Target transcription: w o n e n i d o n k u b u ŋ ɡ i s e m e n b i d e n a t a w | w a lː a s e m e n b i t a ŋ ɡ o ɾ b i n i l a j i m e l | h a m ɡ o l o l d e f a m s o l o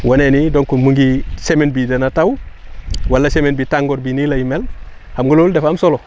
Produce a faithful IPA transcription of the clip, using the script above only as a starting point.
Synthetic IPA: w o n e n i d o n k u m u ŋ ɡ i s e m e n b i d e n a t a w | w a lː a s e m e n b i t a ŋ ɡ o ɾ b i n i l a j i m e l | h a m ɡ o l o l d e f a m s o l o